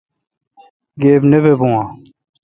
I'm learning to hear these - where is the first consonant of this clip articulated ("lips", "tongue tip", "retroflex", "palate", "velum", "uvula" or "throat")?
velum